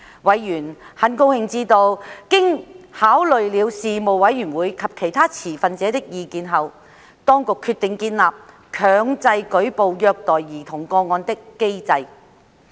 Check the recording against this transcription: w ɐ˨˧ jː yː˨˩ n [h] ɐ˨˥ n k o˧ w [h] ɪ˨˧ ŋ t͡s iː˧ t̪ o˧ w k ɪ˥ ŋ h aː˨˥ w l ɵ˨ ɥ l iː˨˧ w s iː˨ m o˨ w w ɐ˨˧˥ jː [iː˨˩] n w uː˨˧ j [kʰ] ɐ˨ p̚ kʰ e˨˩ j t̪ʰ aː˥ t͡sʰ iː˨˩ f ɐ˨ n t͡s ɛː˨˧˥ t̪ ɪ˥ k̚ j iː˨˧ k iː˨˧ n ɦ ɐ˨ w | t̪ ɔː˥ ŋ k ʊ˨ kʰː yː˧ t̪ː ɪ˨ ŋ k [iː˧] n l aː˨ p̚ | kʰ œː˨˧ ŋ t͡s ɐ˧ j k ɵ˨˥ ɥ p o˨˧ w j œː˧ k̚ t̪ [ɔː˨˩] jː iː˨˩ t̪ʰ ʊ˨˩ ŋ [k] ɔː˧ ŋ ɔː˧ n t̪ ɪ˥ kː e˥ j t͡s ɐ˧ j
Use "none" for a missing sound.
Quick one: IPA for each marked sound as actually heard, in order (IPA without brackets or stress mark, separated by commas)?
h, h, yː˨˩, kʰ, iː˧, ɔː˨˩, k